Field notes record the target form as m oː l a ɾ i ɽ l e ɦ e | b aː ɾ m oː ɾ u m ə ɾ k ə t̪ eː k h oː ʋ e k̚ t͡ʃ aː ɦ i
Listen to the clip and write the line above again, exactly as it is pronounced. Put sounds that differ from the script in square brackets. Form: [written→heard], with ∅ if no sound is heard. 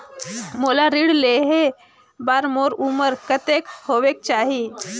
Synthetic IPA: m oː l a ɾ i ɽ l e ɦ e | b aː ɾ m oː ɾ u m ə ɾ k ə t̪ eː k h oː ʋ e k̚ t͡ʃ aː ɦ i